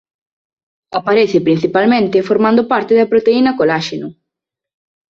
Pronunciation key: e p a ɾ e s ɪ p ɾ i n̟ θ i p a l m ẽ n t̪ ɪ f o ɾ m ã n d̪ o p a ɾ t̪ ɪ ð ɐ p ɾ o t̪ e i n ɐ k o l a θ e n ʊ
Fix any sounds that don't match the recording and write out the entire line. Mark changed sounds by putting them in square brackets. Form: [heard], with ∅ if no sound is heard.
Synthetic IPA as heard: [a] p a ɾ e [θ] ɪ p ɾ i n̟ θ i p a l m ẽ n t̪ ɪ f o ɾ m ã n d̪ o p a ɾ t̪ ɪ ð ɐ p ɾ o t̪ e i n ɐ k o l a [ʃ] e n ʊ